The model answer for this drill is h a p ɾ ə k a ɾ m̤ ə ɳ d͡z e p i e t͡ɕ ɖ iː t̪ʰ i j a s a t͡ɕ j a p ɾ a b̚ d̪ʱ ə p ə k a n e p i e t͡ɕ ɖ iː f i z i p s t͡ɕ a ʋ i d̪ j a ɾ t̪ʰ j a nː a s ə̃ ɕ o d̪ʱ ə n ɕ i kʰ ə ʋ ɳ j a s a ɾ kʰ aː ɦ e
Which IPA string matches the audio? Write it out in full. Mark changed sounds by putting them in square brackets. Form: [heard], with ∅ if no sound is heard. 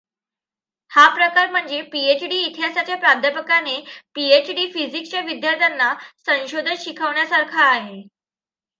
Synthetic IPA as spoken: h a p ɾ ə k a ɾ m̤ ə ɳ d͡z e p i e t͡ɕ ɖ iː t̪ʰ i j a s a t͡ɕ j a p ɾ a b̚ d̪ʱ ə p ə k a n e p i e t͡ɕ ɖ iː f i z i [k] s t͡ɕ a ʋ i d̪ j a ɾ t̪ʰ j a nː a s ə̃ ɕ o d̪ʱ ə n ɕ i kʰ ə ʋ ɳ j a s a ɾ kʰ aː ɦ e